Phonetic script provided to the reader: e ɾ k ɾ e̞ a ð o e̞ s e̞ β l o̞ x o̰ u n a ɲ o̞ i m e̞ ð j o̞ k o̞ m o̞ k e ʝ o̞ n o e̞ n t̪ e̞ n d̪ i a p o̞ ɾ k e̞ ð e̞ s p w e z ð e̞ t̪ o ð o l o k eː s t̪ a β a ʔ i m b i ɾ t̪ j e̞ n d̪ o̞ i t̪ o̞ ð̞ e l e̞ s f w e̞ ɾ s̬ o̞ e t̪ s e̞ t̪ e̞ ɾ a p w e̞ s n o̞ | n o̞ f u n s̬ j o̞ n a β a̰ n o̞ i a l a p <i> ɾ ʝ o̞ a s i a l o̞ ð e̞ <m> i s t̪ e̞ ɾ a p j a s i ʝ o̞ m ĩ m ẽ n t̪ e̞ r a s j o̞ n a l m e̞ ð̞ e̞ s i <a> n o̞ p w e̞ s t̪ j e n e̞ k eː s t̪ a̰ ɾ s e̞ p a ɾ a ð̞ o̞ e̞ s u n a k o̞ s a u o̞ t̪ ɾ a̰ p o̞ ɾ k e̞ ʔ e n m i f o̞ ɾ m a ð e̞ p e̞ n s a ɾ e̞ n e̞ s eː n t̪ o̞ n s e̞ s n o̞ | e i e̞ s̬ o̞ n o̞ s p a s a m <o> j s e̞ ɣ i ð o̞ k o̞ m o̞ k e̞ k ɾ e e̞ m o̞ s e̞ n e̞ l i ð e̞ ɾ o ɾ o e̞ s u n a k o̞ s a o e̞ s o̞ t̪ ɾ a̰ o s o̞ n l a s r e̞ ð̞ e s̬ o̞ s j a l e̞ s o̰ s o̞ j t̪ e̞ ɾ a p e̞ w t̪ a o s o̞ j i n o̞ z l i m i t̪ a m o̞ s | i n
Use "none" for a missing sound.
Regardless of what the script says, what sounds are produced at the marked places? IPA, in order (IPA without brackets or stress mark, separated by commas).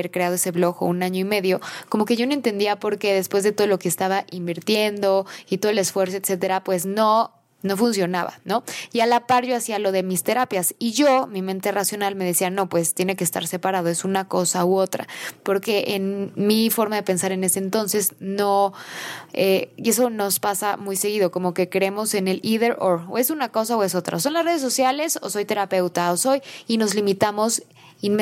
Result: a, m, a, u